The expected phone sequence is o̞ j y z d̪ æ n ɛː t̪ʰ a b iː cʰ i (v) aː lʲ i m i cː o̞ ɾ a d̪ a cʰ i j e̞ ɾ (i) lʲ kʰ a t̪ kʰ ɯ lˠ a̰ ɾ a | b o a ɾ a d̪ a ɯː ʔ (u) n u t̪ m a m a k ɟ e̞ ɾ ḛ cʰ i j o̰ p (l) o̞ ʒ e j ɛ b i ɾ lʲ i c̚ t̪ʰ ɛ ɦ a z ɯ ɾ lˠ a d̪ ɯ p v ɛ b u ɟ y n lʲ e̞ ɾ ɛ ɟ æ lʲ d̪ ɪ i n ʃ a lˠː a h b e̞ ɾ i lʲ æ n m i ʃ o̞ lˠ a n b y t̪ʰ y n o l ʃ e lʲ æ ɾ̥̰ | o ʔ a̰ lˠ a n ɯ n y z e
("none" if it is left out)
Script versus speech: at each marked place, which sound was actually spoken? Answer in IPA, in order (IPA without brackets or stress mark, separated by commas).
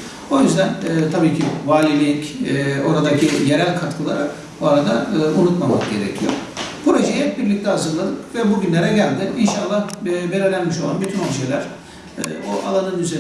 v, æ, u, ɾ